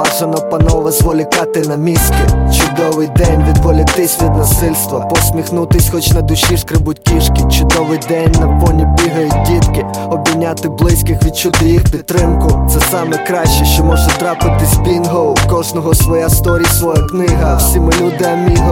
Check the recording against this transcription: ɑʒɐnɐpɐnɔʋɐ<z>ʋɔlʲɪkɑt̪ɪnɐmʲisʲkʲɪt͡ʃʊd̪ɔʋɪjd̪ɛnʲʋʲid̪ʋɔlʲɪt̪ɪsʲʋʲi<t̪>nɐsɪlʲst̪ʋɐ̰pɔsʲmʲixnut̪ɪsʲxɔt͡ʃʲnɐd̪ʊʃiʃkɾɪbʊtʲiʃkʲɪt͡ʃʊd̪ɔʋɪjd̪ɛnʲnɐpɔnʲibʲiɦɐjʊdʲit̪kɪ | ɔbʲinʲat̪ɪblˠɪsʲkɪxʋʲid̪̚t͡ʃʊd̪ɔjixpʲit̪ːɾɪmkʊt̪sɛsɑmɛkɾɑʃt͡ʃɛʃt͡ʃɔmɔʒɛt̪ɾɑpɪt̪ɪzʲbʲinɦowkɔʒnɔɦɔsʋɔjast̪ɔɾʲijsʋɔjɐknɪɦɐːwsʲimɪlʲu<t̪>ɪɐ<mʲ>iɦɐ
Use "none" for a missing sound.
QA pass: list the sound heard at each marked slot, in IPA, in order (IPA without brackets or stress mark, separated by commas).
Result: z, d̪, d̪, mʲ